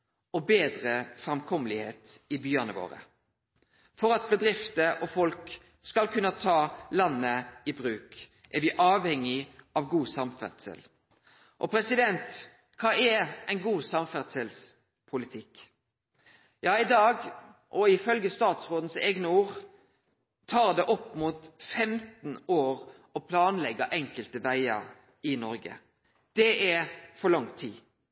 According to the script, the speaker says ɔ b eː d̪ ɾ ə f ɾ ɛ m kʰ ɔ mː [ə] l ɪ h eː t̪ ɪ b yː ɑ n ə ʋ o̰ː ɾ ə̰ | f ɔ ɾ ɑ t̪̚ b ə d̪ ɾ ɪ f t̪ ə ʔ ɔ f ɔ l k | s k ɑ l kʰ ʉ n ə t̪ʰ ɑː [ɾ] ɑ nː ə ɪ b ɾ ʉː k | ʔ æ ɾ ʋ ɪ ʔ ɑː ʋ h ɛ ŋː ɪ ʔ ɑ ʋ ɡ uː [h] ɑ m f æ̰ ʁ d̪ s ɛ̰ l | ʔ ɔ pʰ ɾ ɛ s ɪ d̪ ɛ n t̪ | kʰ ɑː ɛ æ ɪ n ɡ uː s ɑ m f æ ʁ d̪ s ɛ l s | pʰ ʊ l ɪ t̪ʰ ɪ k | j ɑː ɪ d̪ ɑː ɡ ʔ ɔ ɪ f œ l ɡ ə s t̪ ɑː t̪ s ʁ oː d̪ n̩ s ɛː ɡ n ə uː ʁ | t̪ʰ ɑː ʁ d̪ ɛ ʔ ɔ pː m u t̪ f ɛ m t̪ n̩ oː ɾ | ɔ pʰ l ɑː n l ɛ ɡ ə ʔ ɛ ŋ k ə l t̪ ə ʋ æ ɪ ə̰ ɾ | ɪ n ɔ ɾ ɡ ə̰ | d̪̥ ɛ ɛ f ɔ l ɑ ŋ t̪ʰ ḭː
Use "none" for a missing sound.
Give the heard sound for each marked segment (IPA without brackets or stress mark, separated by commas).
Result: ə, l, s